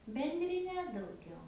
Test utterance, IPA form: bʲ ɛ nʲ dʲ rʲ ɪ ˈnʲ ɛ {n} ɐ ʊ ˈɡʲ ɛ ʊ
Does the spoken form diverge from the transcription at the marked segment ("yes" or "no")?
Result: yes